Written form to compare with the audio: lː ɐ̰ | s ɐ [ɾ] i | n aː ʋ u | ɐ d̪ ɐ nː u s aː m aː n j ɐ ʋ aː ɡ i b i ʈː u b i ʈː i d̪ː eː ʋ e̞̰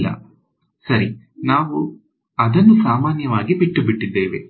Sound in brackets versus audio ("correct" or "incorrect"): correct